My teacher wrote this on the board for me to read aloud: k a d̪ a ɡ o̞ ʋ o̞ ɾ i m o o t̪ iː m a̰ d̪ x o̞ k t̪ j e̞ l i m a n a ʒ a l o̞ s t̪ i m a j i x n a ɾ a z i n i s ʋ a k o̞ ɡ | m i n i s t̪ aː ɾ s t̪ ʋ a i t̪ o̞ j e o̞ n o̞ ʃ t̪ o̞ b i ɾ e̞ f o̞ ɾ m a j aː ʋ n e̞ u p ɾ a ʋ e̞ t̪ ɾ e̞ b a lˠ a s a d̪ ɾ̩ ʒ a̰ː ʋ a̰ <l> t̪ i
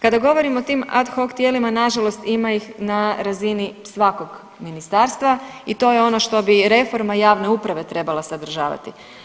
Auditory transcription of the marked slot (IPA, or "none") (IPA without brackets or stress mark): none